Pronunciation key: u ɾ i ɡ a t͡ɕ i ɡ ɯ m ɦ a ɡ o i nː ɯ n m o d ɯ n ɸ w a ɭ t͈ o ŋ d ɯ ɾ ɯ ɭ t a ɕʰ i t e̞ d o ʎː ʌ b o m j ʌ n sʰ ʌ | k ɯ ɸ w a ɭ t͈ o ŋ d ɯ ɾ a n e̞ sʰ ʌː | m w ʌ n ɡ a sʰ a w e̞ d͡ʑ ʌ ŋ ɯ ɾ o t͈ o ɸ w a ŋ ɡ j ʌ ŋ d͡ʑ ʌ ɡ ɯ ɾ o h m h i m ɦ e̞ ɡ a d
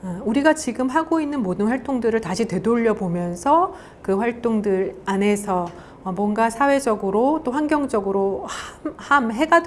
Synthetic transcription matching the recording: u ɾ i ɡ a t͡ɕ i ɡ ɯ m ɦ a ɡ o i nː ɯ n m o d ɯ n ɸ w a ɭ t͈ o ŋ d ɯ ɾ ɯ ɭ t a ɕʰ i t e̞ d o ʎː ʌ b o m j ʌ n sʰ ʌ | k ɯ ɸ w a ɭ t͈ o ŋ d ɯ ɾ a n e̞ sʰ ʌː | m w ʌ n ɡ a sʰ a w e̞ d͡ʑ ʌ ɡ ɯ ɾ o t͈ o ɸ w a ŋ ɡ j ʌ ŋ d͡ʑ ʌ ɡ ɯ ɾ o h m h a m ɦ e̞ ɡ a d